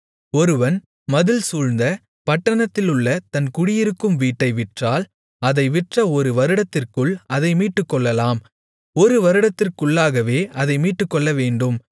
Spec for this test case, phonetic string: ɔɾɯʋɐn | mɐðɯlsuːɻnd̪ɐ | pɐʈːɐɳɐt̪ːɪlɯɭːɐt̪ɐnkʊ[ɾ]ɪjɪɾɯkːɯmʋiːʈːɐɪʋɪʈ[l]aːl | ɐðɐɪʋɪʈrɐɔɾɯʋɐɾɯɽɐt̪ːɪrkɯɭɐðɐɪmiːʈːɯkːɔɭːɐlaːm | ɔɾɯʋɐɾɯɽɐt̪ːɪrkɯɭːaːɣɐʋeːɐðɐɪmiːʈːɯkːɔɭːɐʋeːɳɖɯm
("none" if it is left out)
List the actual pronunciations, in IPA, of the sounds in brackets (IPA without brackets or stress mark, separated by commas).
ɽ, r